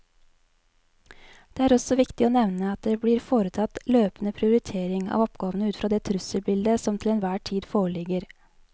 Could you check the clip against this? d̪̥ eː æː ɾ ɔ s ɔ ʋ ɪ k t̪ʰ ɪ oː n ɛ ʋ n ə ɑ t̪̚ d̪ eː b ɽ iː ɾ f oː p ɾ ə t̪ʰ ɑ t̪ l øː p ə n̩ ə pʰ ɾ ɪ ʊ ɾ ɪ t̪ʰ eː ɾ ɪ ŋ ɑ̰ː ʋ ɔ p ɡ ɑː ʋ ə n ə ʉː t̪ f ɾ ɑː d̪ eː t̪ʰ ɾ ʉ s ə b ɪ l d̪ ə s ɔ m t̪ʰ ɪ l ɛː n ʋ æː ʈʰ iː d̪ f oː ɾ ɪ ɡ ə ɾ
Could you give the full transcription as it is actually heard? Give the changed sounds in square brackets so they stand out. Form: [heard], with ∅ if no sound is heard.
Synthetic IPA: d̪̥ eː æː ɾ ɔ s ɔ ʋ ɪ k [t̪] ɪ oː n ɛ ʋ n ə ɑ t̪̚ d̪ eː b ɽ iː ɾ f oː [∅] ɾ ə t̪ʰ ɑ t̪ l øː p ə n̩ ə pʰ ɾ ɪ ʊ ɾ ɪ t̪ʰ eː ɾ ɪ ŋ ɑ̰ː ʋ ɔ p ɡ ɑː ʋ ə n ə ʉː t̪ f ɾ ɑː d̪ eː t̪ʰ ɾ ʉ s ə b ɪ l d̪ ə s ɔ m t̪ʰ ɪ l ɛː n ʋ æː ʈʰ iː d̪ f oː [ɭ] ɪ ɡ ə ɾ